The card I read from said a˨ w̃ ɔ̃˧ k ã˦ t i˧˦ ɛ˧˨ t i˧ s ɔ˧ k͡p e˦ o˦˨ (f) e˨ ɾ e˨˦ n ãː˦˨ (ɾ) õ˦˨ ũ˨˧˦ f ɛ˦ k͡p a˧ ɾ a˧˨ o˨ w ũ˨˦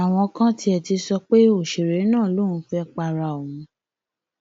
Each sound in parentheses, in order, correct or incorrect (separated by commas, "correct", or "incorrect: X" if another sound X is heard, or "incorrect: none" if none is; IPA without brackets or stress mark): incorrect: ʃ, incorrect: l